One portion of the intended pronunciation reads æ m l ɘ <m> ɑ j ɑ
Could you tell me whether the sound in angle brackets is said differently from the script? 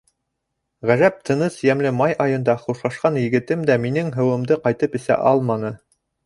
no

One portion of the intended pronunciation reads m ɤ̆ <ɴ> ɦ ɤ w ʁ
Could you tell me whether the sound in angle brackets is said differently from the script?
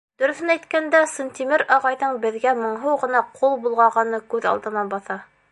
no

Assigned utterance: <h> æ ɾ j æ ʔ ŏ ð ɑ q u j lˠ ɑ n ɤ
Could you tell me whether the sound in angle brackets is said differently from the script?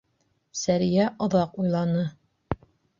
yes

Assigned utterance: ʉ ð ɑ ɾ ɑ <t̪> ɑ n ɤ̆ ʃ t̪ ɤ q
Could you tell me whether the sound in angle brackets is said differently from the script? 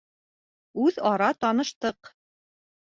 no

